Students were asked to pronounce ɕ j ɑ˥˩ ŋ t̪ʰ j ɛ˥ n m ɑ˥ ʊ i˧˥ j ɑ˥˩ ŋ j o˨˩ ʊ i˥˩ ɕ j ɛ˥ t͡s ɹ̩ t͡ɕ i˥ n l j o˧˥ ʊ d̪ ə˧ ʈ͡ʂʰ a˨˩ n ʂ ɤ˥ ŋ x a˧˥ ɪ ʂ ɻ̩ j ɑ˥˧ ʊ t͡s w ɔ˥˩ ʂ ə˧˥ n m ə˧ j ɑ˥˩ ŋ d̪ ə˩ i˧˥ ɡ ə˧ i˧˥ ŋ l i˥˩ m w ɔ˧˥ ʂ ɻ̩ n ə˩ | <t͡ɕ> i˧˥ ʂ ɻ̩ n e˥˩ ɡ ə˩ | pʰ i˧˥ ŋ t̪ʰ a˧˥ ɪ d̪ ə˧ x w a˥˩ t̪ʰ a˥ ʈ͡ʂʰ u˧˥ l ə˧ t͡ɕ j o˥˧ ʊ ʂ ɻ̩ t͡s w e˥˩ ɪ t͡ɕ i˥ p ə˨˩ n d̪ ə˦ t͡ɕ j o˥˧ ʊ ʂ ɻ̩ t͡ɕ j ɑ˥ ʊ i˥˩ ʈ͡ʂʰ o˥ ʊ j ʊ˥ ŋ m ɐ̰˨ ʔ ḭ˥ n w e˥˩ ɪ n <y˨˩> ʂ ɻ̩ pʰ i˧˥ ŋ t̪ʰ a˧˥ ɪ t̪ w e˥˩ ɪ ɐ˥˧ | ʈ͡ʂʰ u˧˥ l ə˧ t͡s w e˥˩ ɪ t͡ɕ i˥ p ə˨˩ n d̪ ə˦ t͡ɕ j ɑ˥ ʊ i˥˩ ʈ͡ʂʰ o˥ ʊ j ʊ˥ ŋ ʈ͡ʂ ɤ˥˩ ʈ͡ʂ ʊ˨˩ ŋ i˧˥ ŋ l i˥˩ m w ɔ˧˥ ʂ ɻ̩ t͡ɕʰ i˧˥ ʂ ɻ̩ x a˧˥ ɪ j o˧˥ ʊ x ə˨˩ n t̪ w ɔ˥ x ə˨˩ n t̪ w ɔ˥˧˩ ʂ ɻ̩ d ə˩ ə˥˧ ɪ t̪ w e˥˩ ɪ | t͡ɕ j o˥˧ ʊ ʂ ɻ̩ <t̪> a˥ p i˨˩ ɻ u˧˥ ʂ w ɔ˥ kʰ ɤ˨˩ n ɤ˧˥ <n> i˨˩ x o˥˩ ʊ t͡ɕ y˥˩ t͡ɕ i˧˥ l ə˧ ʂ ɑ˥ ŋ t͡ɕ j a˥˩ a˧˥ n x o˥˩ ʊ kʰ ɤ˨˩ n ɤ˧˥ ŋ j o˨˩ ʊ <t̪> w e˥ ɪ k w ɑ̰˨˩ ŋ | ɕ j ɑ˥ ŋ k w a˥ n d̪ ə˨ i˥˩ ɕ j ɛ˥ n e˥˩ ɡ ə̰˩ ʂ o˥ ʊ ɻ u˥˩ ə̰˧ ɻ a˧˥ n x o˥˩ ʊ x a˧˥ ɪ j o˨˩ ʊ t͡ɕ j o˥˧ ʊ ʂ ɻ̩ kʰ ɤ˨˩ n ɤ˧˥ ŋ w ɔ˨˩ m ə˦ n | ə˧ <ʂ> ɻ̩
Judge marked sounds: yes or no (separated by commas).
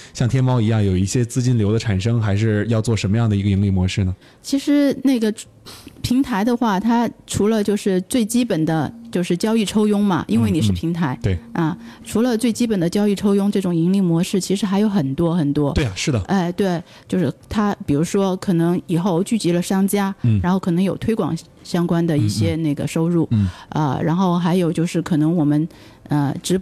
no, no, no, no, no, no